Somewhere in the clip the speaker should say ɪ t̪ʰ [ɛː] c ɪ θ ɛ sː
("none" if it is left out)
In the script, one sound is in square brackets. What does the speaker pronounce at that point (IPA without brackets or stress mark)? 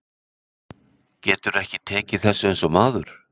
ɛː